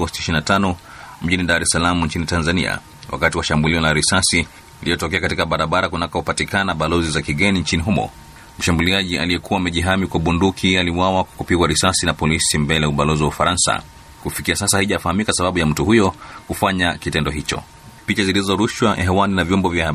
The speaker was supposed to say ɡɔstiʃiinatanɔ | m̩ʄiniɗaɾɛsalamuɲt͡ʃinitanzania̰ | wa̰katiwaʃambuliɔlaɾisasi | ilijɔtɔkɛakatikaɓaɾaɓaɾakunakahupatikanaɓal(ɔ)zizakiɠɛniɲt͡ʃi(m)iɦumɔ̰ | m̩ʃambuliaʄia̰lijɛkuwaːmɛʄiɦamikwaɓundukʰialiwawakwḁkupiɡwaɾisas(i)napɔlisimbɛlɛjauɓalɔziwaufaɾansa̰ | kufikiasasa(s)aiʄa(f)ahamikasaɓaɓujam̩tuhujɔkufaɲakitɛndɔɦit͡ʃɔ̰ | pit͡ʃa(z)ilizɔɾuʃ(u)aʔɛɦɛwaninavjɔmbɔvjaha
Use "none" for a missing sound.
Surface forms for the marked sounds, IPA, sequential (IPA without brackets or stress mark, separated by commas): ɔ, n, i, h, f, z, w